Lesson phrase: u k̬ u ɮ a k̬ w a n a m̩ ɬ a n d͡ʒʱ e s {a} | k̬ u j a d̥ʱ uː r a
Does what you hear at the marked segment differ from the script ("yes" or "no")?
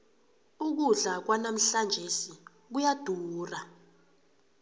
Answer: yes